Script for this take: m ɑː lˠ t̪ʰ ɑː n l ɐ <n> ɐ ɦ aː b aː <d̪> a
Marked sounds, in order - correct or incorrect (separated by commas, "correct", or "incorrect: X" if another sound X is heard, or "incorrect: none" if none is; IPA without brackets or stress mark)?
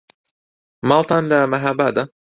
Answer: incorrect: m, correct